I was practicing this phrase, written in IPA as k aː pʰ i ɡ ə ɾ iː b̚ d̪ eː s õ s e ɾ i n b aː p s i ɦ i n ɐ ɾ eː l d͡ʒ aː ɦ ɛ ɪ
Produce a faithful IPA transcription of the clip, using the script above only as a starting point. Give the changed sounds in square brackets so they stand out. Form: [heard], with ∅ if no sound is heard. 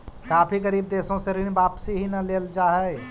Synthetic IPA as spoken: k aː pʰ i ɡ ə ɾ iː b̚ d̪ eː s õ s e ɾ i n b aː p s i ɦ i n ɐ [l] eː l d͡ʒ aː ɦ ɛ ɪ